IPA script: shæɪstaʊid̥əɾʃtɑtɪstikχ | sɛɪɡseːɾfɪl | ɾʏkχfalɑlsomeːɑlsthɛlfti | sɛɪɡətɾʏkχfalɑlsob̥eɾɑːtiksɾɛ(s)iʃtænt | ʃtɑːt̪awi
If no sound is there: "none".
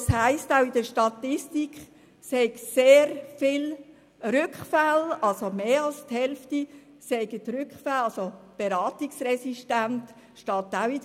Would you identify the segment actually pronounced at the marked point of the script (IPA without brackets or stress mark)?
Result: s